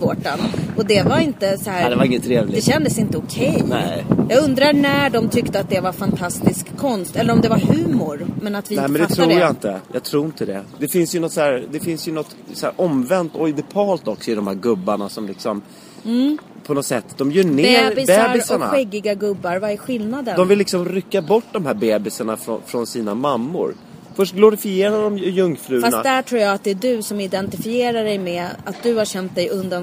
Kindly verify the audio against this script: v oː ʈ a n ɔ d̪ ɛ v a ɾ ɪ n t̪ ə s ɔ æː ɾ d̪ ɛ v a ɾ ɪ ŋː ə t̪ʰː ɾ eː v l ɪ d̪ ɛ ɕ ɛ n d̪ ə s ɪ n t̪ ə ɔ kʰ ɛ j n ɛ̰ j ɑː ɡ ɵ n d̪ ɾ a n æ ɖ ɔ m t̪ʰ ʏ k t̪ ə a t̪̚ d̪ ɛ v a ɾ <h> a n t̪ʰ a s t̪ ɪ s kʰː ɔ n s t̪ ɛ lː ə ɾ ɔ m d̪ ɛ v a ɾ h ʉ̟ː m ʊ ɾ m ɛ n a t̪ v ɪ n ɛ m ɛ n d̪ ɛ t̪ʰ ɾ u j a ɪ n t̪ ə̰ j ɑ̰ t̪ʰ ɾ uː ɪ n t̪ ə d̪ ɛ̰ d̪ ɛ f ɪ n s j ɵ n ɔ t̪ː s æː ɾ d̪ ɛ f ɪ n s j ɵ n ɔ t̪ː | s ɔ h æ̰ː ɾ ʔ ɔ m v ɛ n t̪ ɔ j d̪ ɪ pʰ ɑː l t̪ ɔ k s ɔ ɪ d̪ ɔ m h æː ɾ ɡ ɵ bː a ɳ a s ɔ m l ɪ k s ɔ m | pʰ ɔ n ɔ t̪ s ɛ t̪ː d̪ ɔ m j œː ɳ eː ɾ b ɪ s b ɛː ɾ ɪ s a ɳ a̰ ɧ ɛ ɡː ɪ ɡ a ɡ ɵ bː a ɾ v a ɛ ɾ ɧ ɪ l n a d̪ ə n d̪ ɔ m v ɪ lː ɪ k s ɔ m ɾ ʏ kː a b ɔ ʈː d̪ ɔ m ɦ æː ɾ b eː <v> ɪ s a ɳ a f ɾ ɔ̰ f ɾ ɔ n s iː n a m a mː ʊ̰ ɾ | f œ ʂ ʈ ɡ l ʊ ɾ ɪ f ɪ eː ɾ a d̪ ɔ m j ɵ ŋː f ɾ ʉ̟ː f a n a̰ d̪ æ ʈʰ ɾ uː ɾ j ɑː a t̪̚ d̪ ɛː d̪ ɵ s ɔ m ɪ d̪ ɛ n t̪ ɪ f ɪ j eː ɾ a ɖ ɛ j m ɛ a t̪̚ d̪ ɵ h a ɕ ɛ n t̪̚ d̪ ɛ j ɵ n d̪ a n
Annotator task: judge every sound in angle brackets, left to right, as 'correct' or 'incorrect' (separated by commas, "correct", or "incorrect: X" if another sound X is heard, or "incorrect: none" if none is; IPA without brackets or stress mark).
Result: incorrect: f, incorrect: b